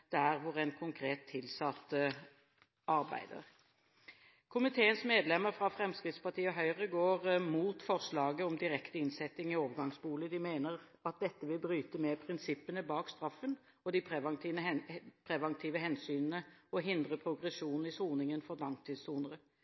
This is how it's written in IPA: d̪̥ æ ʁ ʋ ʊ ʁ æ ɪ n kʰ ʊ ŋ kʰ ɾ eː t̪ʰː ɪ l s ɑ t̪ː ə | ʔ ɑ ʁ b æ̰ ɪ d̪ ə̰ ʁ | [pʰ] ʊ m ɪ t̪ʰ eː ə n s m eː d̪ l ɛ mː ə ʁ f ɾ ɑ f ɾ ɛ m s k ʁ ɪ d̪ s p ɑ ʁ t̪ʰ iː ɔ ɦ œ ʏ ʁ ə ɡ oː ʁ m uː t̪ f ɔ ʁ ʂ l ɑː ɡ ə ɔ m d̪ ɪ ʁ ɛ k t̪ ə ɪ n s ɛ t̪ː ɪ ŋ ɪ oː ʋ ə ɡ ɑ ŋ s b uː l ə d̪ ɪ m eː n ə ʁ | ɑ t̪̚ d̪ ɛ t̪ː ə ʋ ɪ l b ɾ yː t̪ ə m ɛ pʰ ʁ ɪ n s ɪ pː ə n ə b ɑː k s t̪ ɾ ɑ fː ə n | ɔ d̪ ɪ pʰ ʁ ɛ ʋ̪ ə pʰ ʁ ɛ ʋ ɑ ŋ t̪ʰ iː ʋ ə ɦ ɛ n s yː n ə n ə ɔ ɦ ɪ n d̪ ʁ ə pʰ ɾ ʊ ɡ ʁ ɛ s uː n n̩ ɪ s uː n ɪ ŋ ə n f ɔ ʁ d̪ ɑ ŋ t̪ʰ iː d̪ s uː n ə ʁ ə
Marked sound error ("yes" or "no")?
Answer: yes